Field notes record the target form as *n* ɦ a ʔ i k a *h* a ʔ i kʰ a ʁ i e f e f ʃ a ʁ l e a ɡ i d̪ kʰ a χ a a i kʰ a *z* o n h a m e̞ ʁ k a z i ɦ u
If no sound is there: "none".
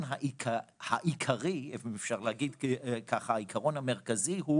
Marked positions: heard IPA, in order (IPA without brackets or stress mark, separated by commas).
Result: n, h, ʁ